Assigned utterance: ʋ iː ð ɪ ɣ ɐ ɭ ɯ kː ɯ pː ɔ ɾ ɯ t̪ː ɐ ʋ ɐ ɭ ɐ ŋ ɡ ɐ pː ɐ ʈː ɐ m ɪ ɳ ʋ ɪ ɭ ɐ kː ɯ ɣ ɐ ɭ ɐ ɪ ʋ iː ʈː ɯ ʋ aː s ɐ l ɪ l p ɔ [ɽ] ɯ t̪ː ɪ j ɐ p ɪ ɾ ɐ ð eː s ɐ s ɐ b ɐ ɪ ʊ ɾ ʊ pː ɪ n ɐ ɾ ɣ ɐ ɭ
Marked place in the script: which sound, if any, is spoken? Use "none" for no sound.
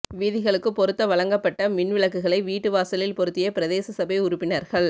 ɾ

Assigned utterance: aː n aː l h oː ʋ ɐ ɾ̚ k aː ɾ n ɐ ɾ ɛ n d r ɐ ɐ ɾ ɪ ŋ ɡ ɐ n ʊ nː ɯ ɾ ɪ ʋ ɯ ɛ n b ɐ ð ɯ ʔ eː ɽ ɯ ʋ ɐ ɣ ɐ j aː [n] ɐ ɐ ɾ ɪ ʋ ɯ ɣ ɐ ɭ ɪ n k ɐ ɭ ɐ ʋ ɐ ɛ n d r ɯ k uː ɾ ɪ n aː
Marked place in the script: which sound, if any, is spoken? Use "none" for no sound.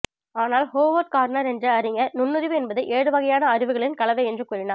n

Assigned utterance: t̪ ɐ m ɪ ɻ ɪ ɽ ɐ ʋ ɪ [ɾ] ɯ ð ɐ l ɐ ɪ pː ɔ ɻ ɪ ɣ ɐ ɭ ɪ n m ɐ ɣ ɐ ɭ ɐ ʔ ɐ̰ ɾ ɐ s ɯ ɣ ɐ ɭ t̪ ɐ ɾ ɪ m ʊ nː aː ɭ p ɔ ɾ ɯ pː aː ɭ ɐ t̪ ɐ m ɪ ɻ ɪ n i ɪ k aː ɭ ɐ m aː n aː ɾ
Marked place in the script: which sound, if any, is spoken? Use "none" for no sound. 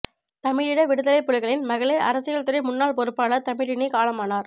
ɽ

